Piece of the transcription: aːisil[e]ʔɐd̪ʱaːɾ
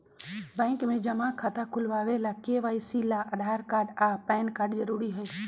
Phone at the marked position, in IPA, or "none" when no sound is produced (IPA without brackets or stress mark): a